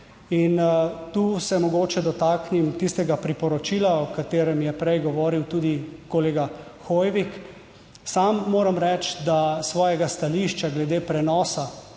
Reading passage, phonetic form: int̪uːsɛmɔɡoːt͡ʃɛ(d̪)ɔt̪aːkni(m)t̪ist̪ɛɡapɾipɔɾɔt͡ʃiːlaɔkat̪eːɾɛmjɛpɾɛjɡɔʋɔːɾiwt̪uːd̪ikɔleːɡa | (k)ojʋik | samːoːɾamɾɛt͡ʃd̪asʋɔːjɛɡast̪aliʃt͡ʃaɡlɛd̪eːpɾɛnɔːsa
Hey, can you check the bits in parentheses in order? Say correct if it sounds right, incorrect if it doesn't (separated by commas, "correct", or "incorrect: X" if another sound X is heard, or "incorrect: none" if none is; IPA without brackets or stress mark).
correct, correct, incorrect: x